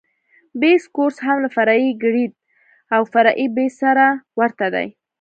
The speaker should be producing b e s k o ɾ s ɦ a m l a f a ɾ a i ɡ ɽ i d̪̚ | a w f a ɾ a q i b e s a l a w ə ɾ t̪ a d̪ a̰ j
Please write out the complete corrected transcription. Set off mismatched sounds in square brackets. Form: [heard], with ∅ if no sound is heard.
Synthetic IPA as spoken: b e s k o ɾ s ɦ a m l a f a ɾ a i ɡ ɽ i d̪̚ | a w f a ɾ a [ʔ] i b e s a [ɾ] a w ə ɾ t̪ a d̪ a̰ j